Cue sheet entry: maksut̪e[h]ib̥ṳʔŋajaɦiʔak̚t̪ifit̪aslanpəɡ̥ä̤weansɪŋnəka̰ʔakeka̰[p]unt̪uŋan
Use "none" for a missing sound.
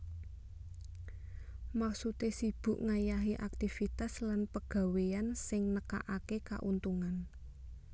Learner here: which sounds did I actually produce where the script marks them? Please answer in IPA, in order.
s, ʔ

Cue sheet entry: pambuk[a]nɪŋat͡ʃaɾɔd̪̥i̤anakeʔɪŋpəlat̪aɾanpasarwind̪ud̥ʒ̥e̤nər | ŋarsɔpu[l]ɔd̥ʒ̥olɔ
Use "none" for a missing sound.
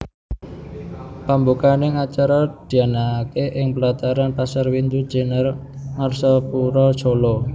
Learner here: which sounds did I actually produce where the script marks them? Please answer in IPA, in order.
a, ɾ

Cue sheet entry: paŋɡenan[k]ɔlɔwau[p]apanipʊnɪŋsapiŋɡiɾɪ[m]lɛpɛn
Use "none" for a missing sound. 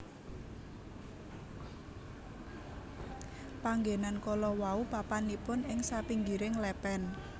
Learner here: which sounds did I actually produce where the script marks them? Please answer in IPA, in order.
k, p, ŋ

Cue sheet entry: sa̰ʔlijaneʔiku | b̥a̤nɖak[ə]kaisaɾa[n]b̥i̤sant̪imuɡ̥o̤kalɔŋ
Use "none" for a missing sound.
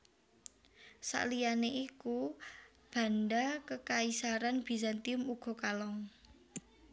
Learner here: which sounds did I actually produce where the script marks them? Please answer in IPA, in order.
ə, n

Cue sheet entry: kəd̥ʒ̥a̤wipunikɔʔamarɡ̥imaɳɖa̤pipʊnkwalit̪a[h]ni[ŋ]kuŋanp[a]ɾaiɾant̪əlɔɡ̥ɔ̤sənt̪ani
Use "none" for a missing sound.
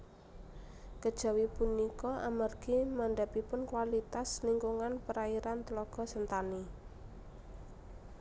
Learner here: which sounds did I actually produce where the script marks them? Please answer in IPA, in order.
s, ŋ, ə

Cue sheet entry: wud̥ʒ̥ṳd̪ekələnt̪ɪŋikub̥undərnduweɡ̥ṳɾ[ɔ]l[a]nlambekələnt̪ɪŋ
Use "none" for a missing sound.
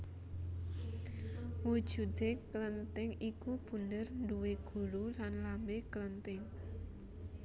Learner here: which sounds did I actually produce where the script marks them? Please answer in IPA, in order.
u, a

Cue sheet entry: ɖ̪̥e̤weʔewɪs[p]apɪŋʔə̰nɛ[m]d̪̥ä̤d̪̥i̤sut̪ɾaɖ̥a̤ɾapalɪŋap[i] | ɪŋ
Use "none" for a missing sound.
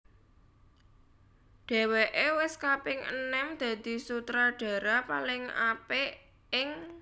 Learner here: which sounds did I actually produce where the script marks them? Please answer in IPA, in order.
k, m, e

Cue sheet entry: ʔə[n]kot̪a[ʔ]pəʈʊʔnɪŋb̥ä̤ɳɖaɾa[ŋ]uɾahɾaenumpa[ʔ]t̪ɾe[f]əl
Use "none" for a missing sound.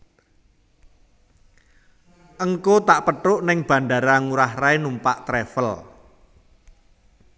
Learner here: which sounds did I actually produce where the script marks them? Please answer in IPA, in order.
ŋ, ʔ, ŋ, ʔ, f

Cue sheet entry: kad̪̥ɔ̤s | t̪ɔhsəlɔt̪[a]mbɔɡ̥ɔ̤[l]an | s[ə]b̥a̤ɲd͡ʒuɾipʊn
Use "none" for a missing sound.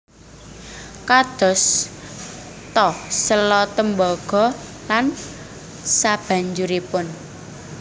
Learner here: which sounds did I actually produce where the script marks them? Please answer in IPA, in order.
ə, l, a

